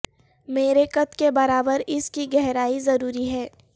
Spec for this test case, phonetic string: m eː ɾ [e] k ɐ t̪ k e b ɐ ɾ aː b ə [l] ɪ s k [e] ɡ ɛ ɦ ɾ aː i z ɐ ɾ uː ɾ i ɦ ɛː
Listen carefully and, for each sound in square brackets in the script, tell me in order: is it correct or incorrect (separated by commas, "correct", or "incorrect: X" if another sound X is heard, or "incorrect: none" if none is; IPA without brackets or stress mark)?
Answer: correct, incorrect: ɾ, incorrect: i